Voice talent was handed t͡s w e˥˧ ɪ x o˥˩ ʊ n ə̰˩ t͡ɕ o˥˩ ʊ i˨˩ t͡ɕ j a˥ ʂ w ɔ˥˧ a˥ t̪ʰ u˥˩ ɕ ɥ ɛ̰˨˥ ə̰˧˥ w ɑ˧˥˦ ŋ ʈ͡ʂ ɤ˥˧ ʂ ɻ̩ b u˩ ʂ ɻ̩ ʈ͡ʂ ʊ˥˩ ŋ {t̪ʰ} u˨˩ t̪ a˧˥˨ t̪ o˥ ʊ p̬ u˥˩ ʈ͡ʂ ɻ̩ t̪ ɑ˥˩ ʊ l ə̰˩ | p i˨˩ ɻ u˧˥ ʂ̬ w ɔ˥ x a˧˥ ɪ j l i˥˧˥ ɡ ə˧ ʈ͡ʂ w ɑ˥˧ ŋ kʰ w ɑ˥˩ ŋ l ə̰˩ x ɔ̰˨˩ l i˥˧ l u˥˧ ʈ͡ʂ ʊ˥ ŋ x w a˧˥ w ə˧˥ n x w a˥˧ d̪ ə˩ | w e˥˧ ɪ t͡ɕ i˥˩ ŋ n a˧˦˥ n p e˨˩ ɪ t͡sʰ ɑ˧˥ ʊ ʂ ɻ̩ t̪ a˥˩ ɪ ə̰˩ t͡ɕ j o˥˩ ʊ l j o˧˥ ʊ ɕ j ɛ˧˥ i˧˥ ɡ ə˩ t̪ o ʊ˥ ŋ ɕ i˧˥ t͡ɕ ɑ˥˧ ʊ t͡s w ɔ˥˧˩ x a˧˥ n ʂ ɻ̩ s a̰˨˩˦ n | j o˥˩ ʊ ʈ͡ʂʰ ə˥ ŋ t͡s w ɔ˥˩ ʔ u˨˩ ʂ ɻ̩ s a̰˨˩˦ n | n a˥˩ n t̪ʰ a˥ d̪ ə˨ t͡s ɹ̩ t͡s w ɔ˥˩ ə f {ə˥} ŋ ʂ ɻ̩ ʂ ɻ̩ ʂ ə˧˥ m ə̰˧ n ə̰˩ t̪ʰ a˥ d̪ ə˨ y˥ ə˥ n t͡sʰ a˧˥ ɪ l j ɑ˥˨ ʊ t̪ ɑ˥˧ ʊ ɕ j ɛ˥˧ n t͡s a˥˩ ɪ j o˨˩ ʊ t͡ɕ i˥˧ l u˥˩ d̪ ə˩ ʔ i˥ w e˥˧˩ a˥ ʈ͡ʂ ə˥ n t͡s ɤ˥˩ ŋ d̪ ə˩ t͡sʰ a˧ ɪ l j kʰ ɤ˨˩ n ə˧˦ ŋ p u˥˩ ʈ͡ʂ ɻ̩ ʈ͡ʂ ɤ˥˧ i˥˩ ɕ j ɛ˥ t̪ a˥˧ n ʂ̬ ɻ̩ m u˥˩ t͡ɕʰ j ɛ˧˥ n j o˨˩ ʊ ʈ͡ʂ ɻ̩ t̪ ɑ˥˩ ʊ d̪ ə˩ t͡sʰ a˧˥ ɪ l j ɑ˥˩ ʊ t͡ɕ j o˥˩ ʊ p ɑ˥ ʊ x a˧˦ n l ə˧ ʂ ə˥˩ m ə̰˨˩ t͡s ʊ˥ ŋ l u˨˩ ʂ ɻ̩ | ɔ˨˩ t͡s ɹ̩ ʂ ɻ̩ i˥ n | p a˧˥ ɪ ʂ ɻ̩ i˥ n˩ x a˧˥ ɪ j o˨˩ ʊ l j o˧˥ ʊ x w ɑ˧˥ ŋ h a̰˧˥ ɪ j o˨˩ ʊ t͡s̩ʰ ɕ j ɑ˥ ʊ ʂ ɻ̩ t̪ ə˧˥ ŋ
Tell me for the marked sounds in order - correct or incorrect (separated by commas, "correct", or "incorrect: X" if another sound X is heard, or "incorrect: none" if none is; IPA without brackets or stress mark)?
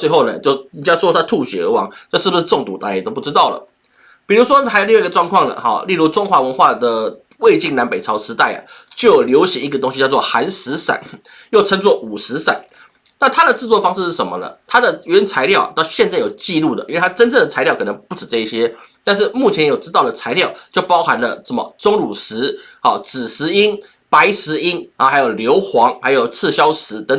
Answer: incorrect: t̪, incorrect: ɑ˥